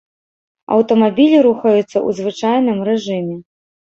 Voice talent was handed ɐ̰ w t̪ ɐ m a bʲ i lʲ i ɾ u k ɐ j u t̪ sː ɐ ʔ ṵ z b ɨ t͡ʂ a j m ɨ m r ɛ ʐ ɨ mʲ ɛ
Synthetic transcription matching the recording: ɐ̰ w t̪ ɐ m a bʲ i lʲ i ɾ u x ɐ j u t̪ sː ɐ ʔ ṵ z v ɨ t͡ʂ a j n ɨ m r ɛ ʐ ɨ mʲ ɛ

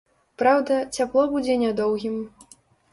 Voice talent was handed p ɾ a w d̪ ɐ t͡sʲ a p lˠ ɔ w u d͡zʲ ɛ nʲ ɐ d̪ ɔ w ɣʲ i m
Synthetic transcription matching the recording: p ɾ a w d̪ ɐ t͡sʲ a p lˠ ɔ b u d͡zʲ ɛ nʲ a d̪ ɔ w ɣʲ i m

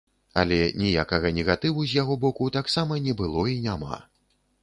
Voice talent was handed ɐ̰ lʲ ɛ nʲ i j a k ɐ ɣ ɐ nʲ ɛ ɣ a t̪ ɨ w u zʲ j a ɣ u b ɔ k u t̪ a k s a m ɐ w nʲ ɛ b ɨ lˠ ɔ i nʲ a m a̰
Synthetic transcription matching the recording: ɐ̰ lʲ ɛ nʲ i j a k ɐ ɣ ɐ nʲ ɛ ɣ a t̪ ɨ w u zʲ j a ɣ ɔ b ɔ k u t̪ a k s a m ɐ nʲ ɛ b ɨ lˠ ɔ i nʲ a m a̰

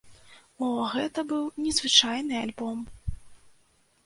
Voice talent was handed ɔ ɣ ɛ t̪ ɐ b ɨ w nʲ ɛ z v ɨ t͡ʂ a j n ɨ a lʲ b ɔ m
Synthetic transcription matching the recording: ɔ ɣ ɛ t̪ ɐ b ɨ w nʲ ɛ z v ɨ t͡ʂ a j n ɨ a lʲ b ɔ m

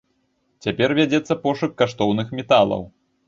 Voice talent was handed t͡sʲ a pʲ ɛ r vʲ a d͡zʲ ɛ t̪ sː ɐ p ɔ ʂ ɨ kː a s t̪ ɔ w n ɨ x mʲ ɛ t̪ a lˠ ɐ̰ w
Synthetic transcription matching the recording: t͡sʲ a pʲ ɛ r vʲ a d͡zʲ ɛ t̪ sː ɐ p ɔ ʂ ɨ kː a ʂ t̪ ɔ w n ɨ x mʲ ɛ t̪ a lˠ ɐ̰ w

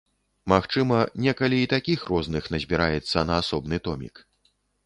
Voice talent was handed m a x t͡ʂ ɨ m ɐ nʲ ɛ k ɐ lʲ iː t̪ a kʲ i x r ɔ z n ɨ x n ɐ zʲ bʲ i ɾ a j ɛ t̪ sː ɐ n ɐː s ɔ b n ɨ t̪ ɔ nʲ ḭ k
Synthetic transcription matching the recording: m a x t͡ʂ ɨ m ɐ nʲ ɛ k ɐ lʲ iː t̪ a kʲ i x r ɔ z n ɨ x n ɐ zʲ bʲ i ɾ a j ɛ t̪ sː ɐ n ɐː s ɔ b n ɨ t̪ ɔ mʲ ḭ k

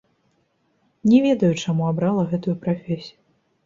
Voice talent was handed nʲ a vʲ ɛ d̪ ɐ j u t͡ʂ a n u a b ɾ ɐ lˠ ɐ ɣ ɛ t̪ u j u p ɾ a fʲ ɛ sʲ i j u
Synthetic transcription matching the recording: nʲ ɛ vʲ ɛ d̪ ɐ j u t͡ʂ a m u a b ɾ a lˠ ɐ ɣ ɛ t̪ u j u p ɾ a fʲ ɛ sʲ i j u

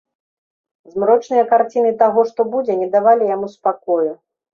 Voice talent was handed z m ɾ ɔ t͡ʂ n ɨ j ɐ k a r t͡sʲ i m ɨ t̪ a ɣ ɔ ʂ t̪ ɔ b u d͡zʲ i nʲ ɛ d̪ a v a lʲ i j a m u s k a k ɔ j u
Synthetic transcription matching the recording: z m ɾ ɔ t͡ʂ n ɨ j ɐ k a r t͡sʲ i n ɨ t̪ a ɣ ɔ ʂ t̪ ɔ b u d͡zʲ ɛ nʲ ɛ d̪ a v a lʲ i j a m u s p a k ɔ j u

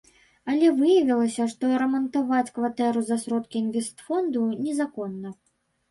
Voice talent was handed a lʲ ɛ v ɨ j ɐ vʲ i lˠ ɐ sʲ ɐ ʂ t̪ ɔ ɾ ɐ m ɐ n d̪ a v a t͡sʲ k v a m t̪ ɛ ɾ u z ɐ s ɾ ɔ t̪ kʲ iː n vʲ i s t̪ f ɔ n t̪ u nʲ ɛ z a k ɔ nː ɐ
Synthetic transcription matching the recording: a lʲ ɛ v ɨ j ɐ vʲ i lˠ ɐ sʲ ɐ ʂ t̪ ɔ ɾ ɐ m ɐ n t̪ a v a t͡sʲ k v a t̪ ɛ ɾ u z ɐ s ɾ ɔ t̪ kʲ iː n vʲ ɛ s t̪ f ɔ n d̪ u nʲ ɛ z a k ɔ nː ɐ

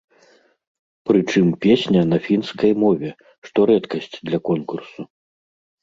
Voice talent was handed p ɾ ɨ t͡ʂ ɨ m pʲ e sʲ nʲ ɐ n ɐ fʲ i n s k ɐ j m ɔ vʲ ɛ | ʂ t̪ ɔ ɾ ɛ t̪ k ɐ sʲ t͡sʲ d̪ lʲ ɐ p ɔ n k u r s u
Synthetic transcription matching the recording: p ɾ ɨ t͡ʂ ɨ m pʲ e sʲ nʲ ɐ n ɐ fʲ i n s k ɐ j m ɔ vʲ ɛ | ʂ t̪ ɔ ɾ ɛ t̪ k ɐ sʲ t͡sʲ d̪ lʲ ɐ k ɔ n k u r s u

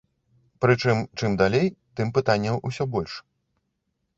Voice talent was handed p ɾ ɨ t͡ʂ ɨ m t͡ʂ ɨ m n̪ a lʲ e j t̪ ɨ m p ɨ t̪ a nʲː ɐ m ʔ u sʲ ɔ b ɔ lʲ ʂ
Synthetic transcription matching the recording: p ɾ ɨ t͡ʂ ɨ m t͡ʂ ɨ m d̪ a lʲ e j t̪ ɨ m p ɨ t̪ a nʲː ɐ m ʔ u sʲ ɔ b ɔ lʲ ʂ

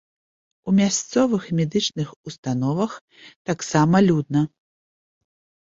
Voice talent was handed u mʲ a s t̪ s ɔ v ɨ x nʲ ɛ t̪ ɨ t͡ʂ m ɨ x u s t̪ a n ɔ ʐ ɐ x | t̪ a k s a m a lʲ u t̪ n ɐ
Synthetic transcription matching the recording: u mʲ a s t̪ s ɔ v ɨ x mʲ ɛ d̪ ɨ t͡ʂ n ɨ x u s t̪ a n ɔ v ɐ x | t̪ a k s a m ɐ lʲ u d̪ n ɐ

